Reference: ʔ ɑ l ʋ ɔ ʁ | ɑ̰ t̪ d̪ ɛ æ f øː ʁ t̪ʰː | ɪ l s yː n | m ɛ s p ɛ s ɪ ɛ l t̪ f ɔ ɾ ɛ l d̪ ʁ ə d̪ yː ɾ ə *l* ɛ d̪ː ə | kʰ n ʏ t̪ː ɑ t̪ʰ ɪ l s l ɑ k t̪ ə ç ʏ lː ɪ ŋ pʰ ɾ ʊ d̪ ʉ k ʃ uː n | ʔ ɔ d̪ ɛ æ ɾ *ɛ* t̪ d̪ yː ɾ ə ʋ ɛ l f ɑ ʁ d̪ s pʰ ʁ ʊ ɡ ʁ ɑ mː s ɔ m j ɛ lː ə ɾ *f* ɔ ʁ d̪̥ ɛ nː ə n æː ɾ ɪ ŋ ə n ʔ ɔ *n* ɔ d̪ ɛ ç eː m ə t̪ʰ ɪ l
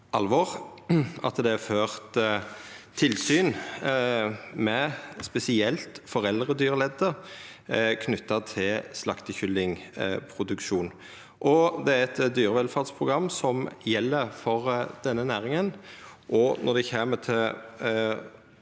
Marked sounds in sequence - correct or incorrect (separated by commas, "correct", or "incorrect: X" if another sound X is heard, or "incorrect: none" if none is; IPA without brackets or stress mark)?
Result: correct, correct, correct, correct